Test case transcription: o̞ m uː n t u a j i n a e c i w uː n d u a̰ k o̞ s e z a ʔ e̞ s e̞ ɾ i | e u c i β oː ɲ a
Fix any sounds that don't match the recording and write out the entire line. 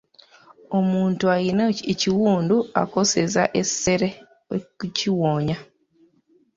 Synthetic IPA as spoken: o̞ m uː n t u a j i n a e c i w uː n d u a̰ k o̞ s e z a ʔ e̞ s e̞ ɾ e | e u c i w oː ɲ a